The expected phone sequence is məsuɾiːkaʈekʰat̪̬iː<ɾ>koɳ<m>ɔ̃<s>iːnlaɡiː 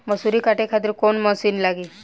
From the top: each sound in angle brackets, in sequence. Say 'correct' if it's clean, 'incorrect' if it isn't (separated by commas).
correct, correct, correct